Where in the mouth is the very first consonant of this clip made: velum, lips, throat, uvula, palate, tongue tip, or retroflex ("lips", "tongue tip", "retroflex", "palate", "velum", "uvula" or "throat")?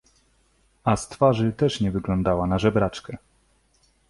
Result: tongue tip